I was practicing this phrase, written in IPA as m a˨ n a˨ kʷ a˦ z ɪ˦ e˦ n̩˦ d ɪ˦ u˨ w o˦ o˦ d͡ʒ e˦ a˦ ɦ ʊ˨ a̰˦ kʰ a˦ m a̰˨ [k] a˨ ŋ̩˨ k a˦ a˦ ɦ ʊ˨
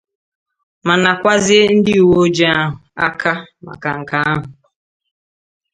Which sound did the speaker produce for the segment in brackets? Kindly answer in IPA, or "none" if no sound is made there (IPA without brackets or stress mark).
k